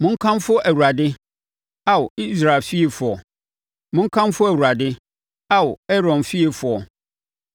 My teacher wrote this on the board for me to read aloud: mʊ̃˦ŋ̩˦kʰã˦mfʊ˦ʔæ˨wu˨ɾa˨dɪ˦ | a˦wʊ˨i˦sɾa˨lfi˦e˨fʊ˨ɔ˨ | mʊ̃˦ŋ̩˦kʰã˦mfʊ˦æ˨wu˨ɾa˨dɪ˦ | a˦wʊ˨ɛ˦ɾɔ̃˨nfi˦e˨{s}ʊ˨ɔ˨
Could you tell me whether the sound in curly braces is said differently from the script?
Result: yes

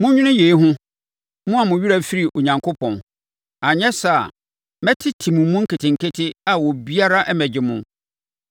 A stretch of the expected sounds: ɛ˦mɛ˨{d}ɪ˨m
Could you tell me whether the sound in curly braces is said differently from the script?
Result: yes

